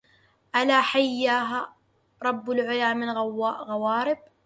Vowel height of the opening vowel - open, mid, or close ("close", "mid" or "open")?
open